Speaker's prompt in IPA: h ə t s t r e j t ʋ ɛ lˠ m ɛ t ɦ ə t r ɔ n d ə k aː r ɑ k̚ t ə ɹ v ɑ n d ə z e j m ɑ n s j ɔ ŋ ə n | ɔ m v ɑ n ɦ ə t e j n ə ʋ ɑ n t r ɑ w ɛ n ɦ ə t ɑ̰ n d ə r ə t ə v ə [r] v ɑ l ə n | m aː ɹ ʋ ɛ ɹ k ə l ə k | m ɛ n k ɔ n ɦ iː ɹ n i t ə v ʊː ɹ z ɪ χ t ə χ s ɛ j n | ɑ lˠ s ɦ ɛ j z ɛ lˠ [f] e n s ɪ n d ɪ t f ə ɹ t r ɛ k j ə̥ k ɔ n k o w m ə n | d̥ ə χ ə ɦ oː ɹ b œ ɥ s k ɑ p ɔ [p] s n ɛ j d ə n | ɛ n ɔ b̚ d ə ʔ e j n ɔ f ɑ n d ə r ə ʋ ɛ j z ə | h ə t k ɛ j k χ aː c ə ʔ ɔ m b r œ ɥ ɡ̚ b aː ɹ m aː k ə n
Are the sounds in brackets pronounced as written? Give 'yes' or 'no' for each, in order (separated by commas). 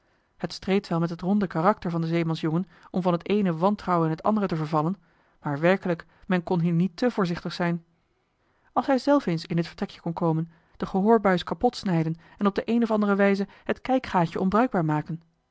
no, yes, no